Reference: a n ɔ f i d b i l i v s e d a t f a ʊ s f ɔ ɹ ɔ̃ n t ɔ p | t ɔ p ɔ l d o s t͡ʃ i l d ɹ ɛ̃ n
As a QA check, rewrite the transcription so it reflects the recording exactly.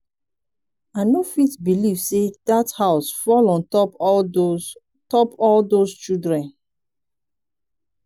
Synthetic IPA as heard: a n o f i t b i l i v s e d a t h a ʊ s f ɔ l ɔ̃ n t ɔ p | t ɔ p ɔ l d o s t͡ʃ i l d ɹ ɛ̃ n